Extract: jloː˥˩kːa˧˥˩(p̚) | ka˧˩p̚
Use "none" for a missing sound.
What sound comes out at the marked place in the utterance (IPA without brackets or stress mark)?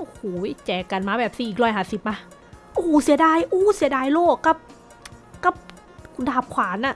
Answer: p̚